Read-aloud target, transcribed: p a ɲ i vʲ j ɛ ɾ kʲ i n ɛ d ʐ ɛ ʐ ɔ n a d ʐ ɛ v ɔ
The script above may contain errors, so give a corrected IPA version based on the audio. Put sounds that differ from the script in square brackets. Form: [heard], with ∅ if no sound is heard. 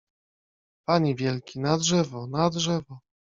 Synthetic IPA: p a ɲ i vʲ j ɛ [l] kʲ i n [a] d ʐ ɛ [v] ɔ n a d ʐ ɛ v ɔ